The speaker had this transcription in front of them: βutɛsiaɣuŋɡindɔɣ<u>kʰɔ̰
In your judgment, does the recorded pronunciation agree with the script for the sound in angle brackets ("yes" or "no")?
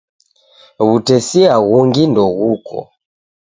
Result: yes